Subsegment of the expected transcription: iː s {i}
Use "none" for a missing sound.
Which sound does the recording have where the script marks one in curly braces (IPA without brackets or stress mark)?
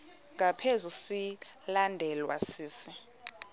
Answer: i